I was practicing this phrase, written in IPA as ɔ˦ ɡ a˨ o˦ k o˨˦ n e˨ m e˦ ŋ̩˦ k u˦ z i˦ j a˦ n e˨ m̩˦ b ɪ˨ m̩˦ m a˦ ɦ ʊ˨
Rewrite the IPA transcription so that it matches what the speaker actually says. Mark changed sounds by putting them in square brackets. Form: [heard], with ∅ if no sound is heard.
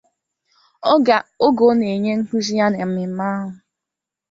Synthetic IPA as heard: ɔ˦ ɡ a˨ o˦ [ɡ] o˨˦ n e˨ [ɲ] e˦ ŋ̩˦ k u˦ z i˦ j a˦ n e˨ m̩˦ [m] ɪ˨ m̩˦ m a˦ ɦ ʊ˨